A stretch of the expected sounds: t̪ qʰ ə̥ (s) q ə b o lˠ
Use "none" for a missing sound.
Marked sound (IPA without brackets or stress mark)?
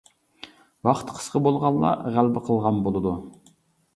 s